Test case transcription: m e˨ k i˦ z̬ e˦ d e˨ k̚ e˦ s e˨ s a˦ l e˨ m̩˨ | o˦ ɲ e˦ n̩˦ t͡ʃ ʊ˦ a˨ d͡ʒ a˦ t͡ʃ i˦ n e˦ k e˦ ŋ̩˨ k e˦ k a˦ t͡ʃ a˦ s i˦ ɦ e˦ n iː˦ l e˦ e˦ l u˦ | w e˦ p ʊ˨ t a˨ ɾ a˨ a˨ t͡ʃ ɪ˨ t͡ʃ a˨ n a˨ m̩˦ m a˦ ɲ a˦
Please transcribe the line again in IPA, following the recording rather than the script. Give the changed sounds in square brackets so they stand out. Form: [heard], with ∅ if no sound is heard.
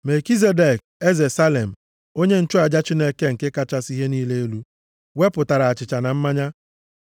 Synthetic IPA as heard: m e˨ k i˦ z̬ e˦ d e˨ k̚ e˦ [z] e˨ s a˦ l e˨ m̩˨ | o˦ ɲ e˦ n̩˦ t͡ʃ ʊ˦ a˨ d͡ʒ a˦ t͡ʃ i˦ n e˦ k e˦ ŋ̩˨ k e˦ k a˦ t͡ʃ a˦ s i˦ ɦ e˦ n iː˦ l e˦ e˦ l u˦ | w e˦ p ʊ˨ t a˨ ɾ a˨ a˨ t͡ʃ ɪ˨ t͡ʃ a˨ n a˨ m̩˦ m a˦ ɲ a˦